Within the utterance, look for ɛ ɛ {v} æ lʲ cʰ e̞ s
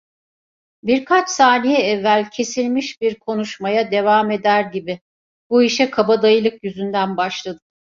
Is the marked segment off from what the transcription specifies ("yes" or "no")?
yes